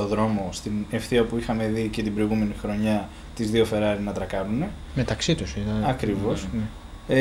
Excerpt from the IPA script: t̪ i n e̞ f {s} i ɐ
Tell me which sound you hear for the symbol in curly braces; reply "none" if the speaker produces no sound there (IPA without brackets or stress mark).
θ